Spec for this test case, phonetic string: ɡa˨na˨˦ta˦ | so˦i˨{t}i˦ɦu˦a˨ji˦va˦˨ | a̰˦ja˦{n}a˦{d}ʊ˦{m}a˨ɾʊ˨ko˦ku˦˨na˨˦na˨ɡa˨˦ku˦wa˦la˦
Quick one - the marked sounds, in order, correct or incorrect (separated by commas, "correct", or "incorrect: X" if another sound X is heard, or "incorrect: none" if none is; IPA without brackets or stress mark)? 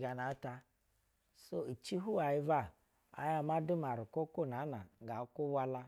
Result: incorrect: t͡ʃ, incorrect: m, correct, correct